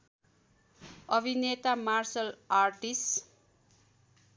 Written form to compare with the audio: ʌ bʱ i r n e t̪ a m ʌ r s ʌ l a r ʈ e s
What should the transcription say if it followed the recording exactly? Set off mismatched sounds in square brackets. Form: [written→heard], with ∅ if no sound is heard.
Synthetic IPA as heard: ʌ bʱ i [r→∅] n e t̪ a m [ʌ→a] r s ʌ l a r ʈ [e→i] s